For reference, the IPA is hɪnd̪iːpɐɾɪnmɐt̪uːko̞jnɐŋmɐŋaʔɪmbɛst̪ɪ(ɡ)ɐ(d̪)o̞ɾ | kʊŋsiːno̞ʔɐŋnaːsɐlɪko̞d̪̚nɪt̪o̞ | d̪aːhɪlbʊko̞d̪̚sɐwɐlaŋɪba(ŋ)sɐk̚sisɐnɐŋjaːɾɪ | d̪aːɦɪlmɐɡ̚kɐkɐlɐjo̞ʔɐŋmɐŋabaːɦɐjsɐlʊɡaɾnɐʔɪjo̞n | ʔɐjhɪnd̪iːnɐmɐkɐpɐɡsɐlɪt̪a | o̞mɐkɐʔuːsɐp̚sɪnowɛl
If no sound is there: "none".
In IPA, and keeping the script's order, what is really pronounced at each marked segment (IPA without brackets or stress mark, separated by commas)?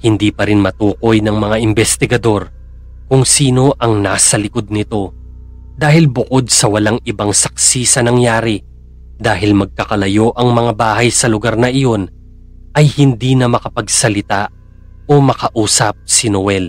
ɡ, d̪, ŋ